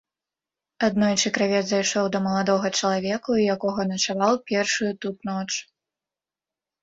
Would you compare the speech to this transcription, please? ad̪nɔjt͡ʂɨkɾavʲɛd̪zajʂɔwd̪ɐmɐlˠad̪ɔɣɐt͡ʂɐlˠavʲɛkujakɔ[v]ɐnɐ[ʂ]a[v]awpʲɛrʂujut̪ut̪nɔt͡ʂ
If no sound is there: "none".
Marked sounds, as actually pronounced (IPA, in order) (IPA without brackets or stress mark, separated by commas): ɣ, t͡ʂ, v